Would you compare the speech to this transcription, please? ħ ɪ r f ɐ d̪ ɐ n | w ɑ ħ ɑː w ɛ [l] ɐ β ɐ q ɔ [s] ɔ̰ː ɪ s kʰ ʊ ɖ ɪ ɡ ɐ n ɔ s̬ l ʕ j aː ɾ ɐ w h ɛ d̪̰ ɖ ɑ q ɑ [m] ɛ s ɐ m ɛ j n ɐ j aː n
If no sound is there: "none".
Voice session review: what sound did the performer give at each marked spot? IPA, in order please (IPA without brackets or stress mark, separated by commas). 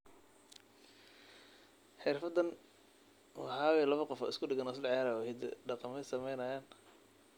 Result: l, f, m